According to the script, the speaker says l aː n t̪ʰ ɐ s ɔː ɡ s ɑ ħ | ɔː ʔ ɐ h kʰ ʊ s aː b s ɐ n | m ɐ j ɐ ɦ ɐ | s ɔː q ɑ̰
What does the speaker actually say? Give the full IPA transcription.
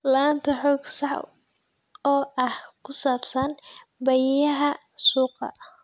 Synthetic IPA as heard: l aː n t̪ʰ ɐ ħ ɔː ɡ s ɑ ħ | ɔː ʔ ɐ h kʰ ʊ s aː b s ɐ n | b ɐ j ɐ ɦ ɐ | s uː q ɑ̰